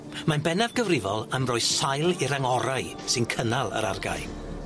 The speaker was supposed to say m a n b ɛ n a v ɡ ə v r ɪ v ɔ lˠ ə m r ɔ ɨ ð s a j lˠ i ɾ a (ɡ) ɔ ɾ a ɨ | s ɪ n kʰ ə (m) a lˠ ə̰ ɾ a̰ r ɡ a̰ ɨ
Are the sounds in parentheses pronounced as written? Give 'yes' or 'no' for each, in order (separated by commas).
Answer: no, no